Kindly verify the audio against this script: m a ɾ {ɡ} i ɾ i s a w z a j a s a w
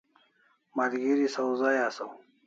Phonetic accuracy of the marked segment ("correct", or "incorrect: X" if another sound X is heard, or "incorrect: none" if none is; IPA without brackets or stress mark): correct